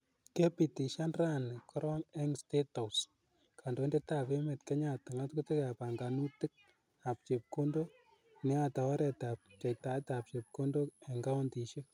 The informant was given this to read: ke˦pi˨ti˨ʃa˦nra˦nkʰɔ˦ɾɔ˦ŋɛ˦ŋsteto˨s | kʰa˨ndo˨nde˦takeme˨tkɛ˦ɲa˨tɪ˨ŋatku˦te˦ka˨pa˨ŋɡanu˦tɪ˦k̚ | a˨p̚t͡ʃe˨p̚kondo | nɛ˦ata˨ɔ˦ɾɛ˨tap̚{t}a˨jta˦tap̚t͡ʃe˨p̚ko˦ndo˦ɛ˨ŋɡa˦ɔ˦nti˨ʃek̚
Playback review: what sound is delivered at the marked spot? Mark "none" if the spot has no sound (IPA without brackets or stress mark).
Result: t͡ʃ